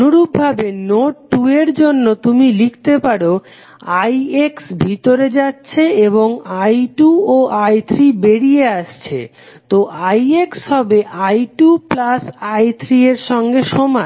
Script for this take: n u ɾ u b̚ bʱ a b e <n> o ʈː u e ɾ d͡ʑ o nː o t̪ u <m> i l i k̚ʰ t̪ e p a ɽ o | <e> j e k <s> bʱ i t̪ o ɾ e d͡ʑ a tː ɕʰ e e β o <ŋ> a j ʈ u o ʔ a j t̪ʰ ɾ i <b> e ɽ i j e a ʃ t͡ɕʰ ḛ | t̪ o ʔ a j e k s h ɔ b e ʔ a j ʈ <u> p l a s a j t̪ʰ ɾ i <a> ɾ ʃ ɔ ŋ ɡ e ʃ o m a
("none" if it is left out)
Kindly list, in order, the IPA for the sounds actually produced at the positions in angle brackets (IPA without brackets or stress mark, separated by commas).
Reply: n, m, a, s, ŋ, b, u, e